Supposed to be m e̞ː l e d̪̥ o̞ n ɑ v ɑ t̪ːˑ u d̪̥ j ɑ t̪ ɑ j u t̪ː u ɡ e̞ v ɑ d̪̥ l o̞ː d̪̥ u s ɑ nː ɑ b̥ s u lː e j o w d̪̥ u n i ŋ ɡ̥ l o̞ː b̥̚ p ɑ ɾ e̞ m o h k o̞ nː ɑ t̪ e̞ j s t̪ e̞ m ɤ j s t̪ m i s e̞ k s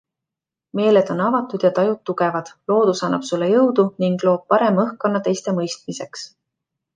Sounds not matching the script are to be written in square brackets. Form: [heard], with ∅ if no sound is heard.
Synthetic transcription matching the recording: m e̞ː l e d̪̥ o̞ n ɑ v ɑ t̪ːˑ u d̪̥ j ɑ t̪ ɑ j u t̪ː u ɡ e̞ v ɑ d̪̥ l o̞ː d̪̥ u s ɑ nː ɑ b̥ s u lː e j [ɤ] w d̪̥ u n i ŋ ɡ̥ l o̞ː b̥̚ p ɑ ɾ e̞ m [ɤ] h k o̞ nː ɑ t̪ e̞ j s t̪ e̞ m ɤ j s t̪ m i s e̞ k s